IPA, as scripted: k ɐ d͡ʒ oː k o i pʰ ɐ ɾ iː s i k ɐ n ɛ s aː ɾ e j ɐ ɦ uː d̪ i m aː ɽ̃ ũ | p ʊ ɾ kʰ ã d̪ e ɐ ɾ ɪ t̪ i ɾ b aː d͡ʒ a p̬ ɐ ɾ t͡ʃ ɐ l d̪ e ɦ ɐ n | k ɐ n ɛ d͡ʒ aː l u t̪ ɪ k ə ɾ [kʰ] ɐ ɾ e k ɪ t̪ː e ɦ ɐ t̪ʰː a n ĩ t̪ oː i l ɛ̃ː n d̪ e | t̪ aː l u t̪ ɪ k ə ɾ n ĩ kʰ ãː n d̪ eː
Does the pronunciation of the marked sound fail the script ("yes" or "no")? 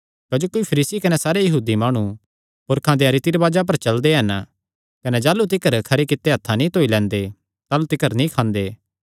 no